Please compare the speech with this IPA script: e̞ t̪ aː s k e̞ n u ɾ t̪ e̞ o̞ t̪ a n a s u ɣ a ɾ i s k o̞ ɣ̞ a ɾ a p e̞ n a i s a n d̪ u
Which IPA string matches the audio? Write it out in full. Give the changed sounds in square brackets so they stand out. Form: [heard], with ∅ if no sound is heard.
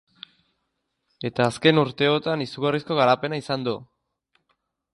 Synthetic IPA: e̞ t̪ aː s k e̞ n u ɾ t̪ e̞ o̞ t̪ a n [i] s u ɣ a [r] i s k o̞ ɣ̞ a ɾ a p e̞ n a i s a n d̪ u